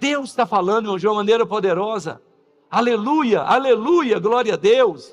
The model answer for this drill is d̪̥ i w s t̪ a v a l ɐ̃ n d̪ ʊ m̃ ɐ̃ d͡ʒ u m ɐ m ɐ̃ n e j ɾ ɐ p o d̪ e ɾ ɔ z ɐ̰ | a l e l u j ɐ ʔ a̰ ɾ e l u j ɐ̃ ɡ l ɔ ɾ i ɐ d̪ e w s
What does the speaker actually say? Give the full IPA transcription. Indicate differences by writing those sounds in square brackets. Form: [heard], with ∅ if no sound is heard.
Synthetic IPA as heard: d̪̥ [e] w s t̪ a [f] a l ɐ̃ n d̪ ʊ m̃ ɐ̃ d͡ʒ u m ɐ m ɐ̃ n e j ɾ ɐ p o d̪ e ɾ ɔ z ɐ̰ | a l e l u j ɐ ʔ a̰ [l] e l u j [ɐ] ɡ l ɔ ɾ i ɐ d̪ e w s